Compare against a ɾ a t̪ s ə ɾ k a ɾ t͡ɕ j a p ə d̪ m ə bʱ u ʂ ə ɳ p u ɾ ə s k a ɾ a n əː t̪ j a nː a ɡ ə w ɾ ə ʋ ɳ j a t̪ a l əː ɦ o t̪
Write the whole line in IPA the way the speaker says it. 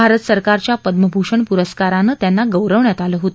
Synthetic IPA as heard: a ɾ ə t̪ s ə ɾ k a ɾ t͡ɕ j a p ə d̪ m ə bʱ u ʂ ə ɳ p u ɾ ə s k a ɾ a n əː t̪ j a nː a ɡ ə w ɾ ə ʋ ɳ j a t̪ a l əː ɦ o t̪